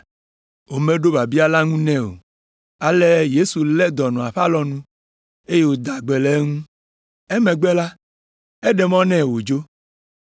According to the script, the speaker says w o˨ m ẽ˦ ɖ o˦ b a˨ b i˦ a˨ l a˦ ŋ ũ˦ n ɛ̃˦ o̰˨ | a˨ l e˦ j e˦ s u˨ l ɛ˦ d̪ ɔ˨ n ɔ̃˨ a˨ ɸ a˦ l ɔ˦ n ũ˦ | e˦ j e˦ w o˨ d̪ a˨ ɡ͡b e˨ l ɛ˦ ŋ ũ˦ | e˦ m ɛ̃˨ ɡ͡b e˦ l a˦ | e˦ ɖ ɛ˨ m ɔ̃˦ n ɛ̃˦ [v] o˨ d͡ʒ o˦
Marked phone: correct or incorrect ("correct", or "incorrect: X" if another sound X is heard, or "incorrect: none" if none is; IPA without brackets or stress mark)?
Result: incorrect: w